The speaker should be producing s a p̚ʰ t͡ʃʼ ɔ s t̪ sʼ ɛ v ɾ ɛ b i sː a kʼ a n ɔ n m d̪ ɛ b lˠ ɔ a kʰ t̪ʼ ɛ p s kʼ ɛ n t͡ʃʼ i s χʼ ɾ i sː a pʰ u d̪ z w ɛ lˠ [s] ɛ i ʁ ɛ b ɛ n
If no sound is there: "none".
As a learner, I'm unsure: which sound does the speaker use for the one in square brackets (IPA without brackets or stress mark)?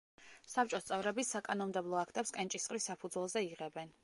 z